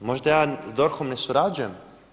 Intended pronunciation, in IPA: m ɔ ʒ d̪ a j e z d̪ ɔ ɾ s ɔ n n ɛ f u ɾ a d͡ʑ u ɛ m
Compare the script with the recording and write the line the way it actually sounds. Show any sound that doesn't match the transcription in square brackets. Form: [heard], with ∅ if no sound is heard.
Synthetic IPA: m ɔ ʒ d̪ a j [a] z d̪ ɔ ɾ [x] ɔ [m] n ɛ [s] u ɾ a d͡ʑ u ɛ m